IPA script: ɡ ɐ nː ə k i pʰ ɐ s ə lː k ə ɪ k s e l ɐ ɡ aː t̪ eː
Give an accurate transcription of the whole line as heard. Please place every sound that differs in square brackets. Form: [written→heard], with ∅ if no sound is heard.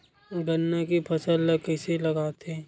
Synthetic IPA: ɡ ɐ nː [ə→a] k i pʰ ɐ s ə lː k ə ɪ [k→∅] s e l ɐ ɡ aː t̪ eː

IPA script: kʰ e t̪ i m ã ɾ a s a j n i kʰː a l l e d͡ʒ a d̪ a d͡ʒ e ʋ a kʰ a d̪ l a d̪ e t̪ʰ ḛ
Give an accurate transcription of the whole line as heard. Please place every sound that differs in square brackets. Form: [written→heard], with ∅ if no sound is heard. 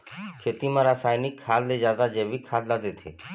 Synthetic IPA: kʰ e t̪ i m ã ɾ a s a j n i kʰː a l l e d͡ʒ a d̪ a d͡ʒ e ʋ [a→i] kʰ a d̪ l a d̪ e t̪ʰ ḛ

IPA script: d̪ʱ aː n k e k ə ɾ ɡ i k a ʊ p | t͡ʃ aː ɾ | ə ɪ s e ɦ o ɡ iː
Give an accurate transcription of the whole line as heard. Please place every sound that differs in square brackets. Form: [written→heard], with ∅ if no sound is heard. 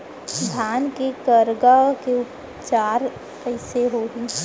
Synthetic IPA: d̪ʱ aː n k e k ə ɾ ɡ [i→a] k [a→e] ʊ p | t͡ʃ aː ɾ | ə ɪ s e ɦ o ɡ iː

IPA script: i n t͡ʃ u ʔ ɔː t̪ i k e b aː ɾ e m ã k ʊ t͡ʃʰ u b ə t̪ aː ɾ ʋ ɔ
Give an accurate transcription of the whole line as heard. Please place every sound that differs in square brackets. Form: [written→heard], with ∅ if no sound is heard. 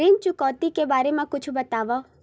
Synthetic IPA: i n t͡ʃ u [ʔ→k] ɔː t̪ i k e b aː ɾ e m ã k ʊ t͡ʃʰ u b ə t̪ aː [ɾ→∅] ʋ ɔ

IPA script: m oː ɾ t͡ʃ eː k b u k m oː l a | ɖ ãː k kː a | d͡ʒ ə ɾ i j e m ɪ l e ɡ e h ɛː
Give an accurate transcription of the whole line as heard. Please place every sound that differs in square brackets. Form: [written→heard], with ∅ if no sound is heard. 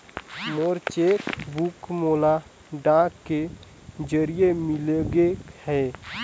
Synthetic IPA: m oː ɾ t͡ʃ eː k b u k m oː l a | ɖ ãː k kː [a→e] | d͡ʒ ə ɾ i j e m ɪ l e ɡ e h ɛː

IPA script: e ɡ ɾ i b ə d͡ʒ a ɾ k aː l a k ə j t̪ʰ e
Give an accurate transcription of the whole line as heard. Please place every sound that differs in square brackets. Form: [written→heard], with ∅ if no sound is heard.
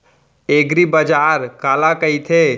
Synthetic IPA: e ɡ ɾ i b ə d͡ʒ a ɾ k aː l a k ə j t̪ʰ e

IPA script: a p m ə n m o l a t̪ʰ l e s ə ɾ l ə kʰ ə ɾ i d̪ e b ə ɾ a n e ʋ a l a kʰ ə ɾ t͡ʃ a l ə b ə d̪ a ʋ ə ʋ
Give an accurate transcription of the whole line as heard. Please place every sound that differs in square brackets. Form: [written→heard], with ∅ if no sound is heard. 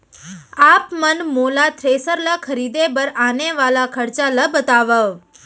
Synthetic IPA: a p m ə n m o l a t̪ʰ [l→ɾ] e s ə ɾ l ə kʰ ə ɾ i d̪ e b ə ɾ a n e ʋ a l a kʰ ə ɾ t͡ʃ a l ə b ə [d̪→t̪] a ʋ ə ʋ

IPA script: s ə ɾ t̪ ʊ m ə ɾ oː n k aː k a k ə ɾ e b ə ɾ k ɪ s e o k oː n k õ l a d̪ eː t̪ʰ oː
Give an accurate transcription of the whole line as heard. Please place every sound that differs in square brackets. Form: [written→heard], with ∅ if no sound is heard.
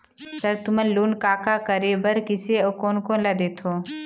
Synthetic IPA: s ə ɾ t̪ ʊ m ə [ɾ→l] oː n k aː k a k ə ɾ e b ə ɾ k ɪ s e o k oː n k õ l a d̪ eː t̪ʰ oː

